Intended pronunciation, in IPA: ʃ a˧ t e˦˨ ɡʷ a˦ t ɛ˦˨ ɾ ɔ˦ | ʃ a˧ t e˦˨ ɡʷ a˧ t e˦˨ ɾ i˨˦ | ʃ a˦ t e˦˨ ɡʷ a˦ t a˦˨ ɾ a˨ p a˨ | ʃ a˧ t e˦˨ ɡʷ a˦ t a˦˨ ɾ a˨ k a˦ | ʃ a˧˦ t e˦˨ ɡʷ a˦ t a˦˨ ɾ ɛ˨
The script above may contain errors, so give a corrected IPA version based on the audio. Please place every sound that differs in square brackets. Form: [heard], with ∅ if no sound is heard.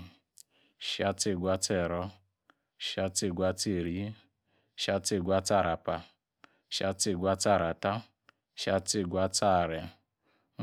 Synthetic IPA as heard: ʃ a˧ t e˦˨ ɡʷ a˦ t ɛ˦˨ ɾ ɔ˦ | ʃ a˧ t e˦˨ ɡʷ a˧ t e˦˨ ɾ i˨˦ | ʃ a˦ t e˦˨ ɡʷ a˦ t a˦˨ ɾ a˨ p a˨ | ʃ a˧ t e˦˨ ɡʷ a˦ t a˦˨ ɾ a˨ [t] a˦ | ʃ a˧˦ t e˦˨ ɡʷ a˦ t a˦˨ ɾ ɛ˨